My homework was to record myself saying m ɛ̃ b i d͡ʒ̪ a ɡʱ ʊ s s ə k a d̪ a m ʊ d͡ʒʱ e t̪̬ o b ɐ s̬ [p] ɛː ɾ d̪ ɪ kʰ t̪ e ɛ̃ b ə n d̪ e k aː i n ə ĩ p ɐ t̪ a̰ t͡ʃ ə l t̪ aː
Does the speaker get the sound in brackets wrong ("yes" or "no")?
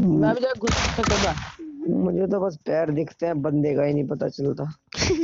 no